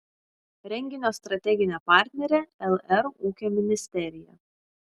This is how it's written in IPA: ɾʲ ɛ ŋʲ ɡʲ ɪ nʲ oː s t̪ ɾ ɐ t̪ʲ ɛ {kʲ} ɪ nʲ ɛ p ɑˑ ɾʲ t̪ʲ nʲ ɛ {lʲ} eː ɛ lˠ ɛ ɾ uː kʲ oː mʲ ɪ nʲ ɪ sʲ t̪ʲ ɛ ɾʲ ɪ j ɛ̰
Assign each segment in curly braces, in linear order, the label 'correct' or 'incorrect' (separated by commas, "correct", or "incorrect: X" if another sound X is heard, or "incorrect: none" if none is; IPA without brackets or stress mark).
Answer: incorrect: ɡʲ, incorrect: ɾʲ